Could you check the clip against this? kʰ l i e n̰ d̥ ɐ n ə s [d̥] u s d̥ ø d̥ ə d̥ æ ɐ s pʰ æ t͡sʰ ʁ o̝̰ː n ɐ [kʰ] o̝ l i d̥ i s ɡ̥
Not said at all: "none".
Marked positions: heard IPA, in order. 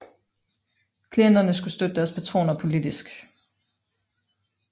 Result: ɡ̥, pʰ

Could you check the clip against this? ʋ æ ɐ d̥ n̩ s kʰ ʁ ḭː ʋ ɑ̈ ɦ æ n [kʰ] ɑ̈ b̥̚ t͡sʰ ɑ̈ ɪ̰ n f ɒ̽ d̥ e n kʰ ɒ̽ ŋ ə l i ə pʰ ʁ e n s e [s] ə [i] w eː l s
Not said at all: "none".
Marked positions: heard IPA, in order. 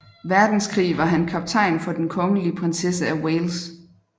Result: kʰ, s, æ

